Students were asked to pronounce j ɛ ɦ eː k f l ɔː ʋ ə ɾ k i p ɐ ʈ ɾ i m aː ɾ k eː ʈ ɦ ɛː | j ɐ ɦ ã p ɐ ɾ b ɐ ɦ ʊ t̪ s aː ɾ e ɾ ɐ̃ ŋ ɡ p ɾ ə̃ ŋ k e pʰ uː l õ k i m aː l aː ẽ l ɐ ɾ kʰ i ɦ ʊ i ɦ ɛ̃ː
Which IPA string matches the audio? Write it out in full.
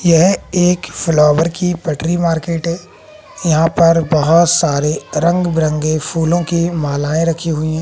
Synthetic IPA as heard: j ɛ ɦ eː k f l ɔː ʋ ə ɾ k i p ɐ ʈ ɾ i m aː ɾ k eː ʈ ɦ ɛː | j ɐ ɦ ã p ɐ ɾ b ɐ ɦ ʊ t̪ s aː ɾ e ɾ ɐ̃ ŋ ɡ b ɾ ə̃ ŋ ɡ e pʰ uː l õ k i m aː l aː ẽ ɾ ɐ kʰ i ɦ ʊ i ɦ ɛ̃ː